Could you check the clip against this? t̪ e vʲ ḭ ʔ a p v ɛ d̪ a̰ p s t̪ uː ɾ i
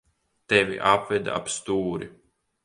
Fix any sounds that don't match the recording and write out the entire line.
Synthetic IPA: t̪ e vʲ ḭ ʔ a p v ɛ d̪ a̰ p s t̪ uː ɾ i